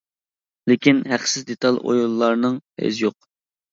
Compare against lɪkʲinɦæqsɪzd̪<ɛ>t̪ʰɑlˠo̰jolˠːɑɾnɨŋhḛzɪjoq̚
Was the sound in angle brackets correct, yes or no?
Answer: no